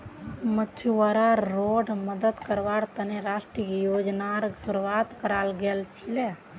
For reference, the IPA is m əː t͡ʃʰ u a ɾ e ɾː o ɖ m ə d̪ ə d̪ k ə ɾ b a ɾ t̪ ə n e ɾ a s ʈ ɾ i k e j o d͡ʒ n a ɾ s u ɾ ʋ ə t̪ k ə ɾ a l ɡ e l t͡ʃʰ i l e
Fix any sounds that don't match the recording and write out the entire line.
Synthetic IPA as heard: m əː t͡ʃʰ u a ɾ a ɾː o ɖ m ə d̪ ə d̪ k ə ɾ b a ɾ t̪ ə n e ɾ a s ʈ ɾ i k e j o d͡ʒ n a ɾ s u ɾ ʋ a t̪ k ə ɾ a l ɡ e l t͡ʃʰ i l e